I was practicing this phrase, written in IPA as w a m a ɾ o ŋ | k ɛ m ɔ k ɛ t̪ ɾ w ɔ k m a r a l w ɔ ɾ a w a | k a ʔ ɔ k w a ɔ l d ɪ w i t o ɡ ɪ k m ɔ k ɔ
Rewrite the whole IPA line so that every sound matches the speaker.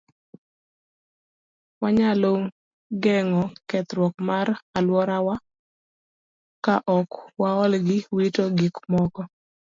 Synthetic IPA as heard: w a ɲ a l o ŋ | ɡ ɛ ŋ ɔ k ɛ t̪ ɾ w ɔ k m a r a l w ɔ ɾ a w a | k a ʔ ɔ k w a ɔ l ɡ ɪ w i t o ɡ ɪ k m ɔ k ɔ